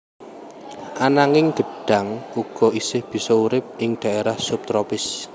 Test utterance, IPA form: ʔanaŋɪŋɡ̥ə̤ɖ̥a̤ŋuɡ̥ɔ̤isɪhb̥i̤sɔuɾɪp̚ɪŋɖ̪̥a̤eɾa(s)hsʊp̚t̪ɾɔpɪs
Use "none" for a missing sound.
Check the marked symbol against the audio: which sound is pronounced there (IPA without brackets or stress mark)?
none